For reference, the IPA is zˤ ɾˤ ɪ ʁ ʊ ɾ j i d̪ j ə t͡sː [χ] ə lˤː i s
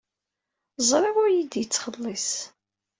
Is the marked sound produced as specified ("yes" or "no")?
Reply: yes